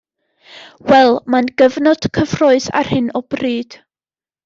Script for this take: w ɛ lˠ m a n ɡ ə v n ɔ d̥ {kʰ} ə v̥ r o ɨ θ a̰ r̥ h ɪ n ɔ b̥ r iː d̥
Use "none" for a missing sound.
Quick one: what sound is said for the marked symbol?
kʰ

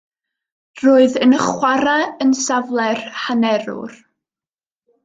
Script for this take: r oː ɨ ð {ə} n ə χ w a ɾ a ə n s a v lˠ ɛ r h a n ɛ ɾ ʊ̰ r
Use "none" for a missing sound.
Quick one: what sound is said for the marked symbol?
ə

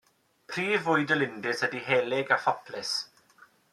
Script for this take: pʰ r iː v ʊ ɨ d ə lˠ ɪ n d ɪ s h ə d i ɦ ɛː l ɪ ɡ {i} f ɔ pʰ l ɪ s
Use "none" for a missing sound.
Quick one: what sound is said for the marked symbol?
a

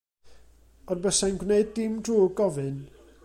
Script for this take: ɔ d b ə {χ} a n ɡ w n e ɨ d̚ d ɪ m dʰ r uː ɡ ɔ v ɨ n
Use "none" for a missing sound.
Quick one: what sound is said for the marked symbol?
s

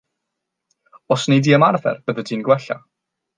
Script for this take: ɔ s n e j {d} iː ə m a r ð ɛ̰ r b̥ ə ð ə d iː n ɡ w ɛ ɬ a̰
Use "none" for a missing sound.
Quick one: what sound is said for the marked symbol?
d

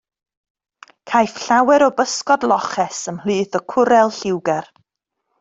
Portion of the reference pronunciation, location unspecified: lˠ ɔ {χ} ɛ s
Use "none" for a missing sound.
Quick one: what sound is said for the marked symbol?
χ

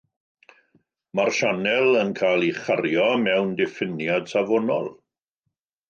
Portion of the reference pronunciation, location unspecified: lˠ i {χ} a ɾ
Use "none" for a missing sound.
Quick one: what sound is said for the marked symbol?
χ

